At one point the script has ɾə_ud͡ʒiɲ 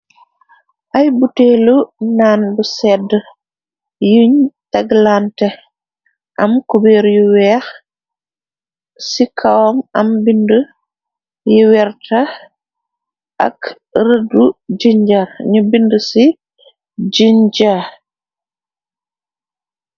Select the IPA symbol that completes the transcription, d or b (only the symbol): d